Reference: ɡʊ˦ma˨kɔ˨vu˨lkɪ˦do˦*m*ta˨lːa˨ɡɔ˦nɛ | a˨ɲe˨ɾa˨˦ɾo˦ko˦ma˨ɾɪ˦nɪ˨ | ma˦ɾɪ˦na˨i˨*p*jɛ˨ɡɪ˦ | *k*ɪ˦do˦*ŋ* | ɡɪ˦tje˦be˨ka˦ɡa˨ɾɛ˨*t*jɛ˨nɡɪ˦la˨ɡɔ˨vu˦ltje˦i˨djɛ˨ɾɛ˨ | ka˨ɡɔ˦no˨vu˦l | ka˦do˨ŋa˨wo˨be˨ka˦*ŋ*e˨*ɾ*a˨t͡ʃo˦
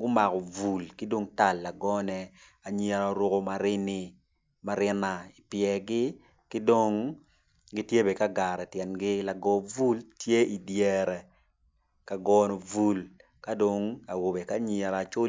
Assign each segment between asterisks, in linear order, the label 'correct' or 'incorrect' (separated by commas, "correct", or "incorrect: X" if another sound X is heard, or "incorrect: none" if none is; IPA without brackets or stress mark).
incorrect: ŋ, correct, correct, correct, correct, incorrect: ɲ, correct